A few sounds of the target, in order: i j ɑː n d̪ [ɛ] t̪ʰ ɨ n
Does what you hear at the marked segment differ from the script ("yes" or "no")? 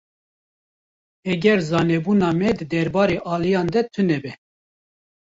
no